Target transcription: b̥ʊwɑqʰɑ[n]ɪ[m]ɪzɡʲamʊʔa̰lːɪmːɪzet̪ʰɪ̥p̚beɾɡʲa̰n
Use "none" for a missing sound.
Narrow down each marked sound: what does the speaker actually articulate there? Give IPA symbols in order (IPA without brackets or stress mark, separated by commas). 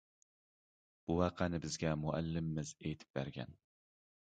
n, b